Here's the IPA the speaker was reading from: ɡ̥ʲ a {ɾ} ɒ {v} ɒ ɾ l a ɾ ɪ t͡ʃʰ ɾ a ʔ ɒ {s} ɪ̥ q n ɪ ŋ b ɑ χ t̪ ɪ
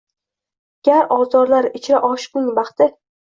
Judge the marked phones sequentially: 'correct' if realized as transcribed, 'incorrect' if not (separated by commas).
correct, incorrect, incorrect